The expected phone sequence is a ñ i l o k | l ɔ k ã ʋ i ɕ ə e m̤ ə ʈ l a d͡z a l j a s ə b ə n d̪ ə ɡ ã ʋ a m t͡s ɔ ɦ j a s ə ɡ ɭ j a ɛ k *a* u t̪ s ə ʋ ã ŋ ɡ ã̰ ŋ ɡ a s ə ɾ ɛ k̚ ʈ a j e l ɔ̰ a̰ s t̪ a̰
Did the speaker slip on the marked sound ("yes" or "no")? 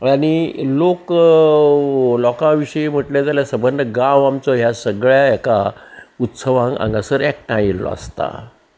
no